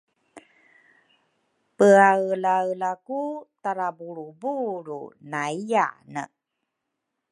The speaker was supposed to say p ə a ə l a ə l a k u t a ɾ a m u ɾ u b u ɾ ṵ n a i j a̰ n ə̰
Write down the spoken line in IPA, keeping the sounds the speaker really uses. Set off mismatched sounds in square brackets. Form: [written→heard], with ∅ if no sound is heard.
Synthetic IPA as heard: p ə a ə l a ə l a k u t a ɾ a [m→b] u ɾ u b u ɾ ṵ n a i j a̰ n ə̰

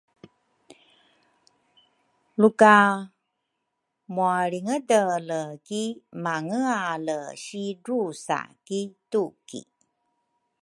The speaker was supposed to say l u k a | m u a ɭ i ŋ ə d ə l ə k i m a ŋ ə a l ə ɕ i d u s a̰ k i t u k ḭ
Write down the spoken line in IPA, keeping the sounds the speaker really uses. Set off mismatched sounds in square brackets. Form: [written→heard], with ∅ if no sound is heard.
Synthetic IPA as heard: l u k a | m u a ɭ i ŋ ə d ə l ə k i m a ŋ ə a l ə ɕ i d u s a̰ k i t u k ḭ

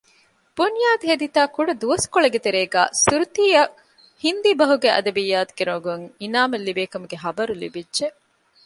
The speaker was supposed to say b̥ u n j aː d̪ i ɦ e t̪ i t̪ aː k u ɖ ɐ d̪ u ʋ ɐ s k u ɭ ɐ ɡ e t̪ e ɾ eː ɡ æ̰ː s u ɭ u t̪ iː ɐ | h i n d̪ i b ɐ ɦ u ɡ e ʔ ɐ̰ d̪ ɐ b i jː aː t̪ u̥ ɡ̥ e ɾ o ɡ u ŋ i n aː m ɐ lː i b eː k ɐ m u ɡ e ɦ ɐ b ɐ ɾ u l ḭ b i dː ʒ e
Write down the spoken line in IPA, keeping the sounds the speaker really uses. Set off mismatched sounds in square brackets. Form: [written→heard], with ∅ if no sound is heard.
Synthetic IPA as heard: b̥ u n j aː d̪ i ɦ e [t̪→d̪] i t̪ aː k u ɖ ɐ d̪ u ʋ ɐ s k [u→o] ɭ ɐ ɡ e t̪ e ɾ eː ɡ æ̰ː s u [ɭ→ɾ] u t̪ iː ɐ | h i n d̪ i b ɐ ɦ u ɡ e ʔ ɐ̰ d̪ ɐ b i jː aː t̪ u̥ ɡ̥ e ɾ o ɡ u ŋ i n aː m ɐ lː i b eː k ɐ m u ɡ e ɦ ɐ b ɐ ɾ u l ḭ b i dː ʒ e

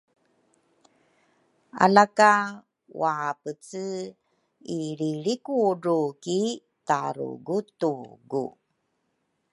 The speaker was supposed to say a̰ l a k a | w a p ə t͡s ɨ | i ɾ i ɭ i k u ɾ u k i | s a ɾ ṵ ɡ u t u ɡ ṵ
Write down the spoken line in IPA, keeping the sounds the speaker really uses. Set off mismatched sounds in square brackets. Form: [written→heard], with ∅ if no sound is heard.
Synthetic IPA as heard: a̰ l a k a | w a p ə t͡s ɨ | i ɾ i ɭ i k u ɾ u k i | [s→t] a ɾ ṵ ɡ u t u ɡ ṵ

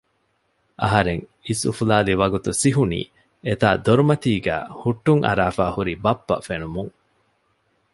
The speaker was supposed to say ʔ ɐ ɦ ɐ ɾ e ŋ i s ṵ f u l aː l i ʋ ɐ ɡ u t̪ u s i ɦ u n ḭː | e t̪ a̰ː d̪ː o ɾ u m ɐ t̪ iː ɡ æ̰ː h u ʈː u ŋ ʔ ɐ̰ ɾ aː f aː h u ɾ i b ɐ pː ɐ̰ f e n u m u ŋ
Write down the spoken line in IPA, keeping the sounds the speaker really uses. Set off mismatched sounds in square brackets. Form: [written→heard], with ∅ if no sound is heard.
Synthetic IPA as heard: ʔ ɐ ɦ ɐ ɾ e ŋ i s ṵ f u l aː l i ʋ ɐ ɡ u t̪ u s i ɦ u n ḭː | e t̪ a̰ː [d̪ː→d̪] o ɾ u m ɐ t̪ iː ɡ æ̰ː h u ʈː u ŋ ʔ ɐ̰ ɾ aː f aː h u ɾ i b ɐ pː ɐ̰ f e n u m u ŋ

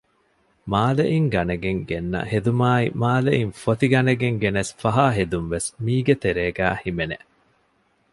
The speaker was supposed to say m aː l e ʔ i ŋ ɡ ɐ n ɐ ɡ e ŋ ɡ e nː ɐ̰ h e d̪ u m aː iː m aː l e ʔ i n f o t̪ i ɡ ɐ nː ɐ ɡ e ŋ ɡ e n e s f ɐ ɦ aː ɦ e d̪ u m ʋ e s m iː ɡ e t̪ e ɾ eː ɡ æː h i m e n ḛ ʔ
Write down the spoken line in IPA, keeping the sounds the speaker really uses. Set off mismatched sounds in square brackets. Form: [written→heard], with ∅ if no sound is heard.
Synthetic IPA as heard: m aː l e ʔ i ŋ ɡ ɐ n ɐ ɡ e ŋ ɡ e nː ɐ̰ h e d̪ u m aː [iː→i] m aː l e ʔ i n f o t̪ i ɡ ɐ [nː→n] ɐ ɡ e ŋ ɡ e n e s f ɐ ɦ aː ɦ e d̪ u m ʋ e s m iː ɡ e t̪ e ɾ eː ɡ æː h i m e n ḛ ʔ

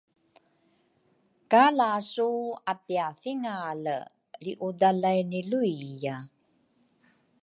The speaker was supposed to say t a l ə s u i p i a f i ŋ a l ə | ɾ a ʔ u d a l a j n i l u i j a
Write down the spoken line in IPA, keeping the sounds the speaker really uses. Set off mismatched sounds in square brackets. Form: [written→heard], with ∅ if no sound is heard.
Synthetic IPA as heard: [t→k] a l [ə→a] s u [i→a] p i a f i ŋ a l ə | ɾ [a→i] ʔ u d a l a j n i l u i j a

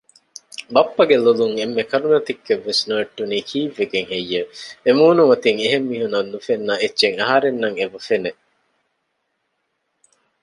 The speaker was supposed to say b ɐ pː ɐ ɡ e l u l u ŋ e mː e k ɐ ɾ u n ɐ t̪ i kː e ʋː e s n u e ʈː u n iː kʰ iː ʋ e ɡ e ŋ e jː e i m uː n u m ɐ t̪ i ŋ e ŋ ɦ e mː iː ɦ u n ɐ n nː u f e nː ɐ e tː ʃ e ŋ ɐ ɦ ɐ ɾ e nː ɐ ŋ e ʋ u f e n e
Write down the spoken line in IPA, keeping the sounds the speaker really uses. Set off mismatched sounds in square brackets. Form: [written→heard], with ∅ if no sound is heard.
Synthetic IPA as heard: b ɐ pː ɐ ɡ e l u l u ŋ e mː e k ɐ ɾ u n ɐ t̪ i kː e ʋː e s n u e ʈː u n iː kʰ iː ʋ e ɡ e ŋ e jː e [i→e] m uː n u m ɐ t̪ i ŋ e [ŋ→∅] ɦ e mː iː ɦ u n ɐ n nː u f e nː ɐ e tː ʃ e ŋ ɐ ɦ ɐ ɾ e nː ɐ ŋ e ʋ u f e n e

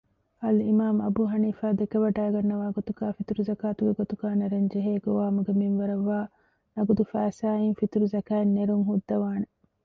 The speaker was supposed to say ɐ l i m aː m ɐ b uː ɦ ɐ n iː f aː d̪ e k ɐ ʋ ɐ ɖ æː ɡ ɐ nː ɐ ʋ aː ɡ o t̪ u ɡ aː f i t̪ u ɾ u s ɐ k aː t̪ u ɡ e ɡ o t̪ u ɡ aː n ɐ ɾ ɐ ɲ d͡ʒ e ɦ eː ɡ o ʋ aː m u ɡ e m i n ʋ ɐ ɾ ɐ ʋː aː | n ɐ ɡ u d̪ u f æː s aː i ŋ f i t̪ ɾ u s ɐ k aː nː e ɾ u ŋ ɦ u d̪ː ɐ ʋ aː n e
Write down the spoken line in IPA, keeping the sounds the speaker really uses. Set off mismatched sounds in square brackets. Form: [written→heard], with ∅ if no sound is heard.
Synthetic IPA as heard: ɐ l i m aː m ɐ b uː ɦ ɐ n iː f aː d̪ e k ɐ ʋ ɐ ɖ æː ɡ ɐ nː ɐ ʋ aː ɡ o t̪ u ɡ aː f i t̪ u ɾ u [s→z] ɐ k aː t̪ u ɡ e ɡ o t̪ u ɡ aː n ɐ ɾ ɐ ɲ d͡ʒ e ɦ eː ɡ o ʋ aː m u ɡ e m i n ʋ ɐ ɾ ɐ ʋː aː | n ɐ ɡ u d̪ u f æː s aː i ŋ f i t̪ ɾ u [s→z] ɐ k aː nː e ɾ u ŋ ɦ u d̪ː ɐ ʋ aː n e

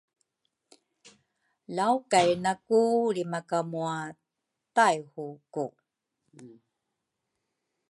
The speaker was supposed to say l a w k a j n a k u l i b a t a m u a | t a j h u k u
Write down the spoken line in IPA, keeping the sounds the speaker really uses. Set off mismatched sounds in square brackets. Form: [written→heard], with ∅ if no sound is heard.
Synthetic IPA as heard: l a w k a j n a k u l i [b→m] a [t→k] a m u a | t a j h u k u

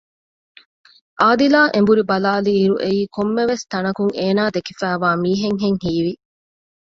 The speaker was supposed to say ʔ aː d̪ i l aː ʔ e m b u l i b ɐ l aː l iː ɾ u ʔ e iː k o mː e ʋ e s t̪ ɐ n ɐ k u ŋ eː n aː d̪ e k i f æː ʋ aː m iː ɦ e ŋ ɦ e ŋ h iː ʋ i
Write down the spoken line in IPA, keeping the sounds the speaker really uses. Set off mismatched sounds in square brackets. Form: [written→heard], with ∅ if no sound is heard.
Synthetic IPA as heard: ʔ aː d̪ i l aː ʔ e m b u [l→ɾ] i b ɐ l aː l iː ɾ u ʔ e iː k o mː e ʋ e s t̪ ɐ n ɐ k u ŋ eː n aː d̪ e k i f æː ʋ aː m iː ɦ e ŋ ɦ e ŋ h iː ʋ i

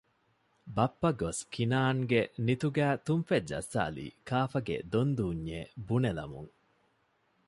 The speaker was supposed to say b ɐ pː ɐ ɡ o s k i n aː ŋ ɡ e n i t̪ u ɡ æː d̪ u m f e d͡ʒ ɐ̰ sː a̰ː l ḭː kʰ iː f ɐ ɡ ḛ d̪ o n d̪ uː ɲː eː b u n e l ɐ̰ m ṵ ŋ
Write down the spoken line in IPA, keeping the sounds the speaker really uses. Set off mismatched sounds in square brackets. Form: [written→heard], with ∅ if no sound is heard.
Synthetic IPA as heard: b ɐ pː ɐ ɡ o s k i n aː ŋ ɡ e n i t̪ u ɡ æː [d̪→t̪] u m f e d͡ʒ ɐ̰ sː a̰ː l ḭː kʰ [iː→aː] f ɐ ɡ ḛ d̪ o n d̪ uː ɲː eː b u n e l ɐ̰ m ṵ ŋ

